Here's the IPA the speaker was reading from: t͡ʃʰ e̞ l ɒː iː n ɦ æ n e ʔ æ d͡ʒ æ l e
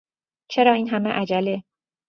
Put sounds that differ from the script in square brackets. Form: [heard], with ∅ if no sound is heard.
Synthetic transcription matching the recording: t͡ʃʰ e̞ [ɾ] ɒː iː n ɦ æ [m] e ʔ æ d͡ʒ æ l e